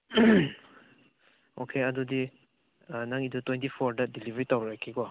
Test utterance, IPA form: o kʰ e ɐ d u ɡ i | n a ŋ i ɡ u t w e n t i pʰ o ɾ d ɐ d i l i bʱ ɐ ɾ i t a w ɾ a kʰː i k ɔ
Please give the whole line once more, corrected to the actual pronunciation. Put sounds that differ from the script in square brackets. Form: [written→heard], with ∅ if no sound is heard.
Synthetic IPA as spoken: o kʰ e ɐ d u [ɡ→d] i | n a ŋ i [ɡ→d] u t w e n t i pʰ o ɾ d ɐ d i l i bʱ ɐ ɾ i t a w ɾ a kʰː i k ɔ